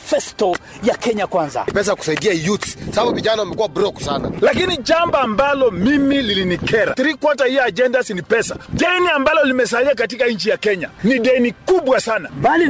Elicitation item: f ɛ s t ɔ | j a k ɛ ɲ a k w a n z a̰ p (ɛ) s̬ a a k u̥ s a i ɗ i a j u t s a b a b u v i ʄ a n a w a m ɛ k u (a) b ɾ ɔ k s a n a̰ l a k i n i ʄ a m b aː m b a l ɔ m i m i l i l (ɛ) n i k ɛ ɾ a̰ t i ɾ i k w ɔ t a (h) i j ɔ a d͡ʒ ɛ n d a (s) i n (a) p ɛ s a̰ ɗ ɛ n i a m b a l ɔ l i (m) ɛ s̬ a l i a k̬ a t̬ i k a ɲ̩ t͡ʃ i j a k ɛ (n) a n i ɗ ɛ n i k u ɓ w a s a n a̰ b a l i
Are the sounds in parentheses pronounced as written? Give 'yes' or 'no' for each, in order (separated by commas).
yes, yes, no, yes, yes, no, yes, no